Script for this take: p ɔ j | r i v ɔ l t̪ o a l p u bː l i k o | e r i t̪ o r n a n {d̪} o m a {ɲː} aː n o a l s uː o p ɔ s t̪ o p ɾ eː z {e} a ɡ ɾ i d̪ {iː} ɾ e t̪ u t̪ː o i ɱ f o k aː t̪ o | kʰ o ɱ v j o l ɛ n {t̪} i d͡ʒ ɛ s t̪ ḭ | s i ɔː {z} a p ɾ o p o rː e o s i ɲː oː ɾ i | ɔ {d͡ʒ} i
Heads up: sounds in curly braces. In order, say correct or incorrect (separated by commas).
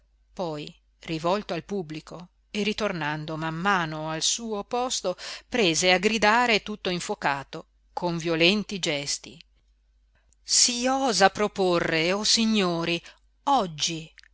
correct, incorrect, correct, incorrect, correct, correct, incorrect